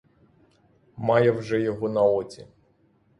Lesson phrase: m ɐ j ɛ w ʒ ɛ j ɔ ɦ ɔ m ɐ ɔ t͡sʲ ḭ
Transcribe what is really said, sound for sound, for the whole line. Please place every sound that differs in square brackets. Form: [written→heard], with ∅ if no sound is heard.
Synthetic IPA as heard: m [ɐ→ɑ] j ɛ w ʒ ɛ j ɔ ɦ ɔ [m→n] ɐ ɔ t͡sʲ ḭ